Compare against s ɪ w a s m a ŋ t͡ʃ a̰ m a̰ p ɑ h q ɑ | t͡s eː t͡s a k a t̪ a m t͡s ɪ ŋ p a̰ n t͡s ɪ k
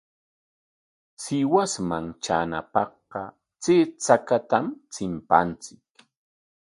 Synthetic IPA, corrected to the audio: s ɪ w a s m a ŋ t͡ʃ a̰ n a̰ p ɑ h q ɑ | t͡s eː t͡s a k a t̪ a m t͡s ɪ m p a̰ n t͡s ɪ k